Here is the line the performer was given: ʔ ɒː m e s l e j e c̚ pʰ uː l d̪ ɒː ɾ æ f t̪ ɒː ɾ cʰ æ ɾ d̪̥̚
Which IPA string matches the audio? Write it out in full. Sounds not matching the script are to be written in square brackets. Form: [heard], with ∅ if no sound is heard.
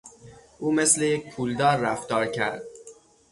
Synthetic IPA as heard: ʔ [uː] m e s l e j e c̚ pʰ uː l d̪ ɒː [ɾː] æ f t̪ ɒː ɾ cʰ æ ɾ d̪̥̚